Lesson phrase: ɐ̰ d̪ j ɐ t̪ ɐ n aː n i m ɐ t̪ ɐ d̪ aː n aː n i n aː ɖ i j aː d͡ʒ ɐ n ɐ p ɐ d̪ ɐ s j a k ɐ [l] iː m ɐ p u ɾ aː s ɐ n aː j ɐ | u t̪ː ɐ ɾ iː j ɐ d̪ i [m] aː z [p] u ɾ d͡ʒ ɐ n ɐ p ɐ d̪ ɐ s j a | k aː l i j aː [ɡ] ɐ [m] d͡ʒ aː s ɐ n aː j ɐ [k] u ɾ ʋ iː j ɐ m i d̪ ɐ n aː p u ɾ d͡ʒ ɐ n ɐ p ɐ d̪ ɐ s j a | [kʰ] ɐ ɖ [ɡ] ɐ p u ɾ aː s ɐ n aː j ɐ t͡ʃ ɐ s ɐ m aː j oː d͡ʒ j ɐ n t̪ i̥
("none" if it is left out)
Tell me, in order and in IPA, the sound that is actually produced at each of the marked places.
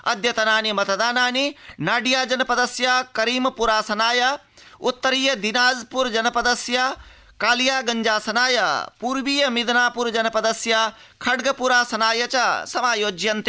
ɾ, n, p, ɡ, ɲ, p, kʰ, ɡ

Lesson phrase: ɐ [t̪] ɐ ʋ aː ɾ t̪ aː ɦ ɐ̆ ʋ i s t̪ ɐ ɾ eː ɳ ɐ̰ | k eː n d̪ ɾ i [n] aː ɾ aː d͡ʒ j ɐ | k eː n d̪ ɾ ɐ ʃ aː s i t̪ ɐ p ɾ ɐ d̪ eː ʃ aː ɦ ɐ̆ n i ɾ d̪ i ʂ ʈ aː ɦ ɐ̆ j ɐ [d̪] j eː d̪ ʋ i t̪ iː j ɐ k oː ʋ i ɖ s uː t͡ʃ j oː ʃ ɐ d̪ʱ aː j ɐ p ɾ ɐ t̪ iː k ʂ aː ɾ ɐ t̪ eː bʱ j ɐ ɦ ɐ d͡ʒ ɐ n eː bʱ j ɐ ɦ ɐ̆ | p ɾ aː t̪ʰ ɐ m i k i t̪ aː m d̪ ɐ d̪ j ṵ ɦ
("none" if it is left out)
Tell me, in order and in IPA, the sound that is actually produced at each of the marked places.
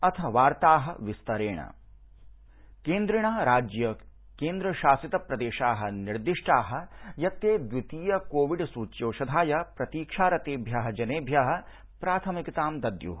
t̪ʰ, ɳ, t̪

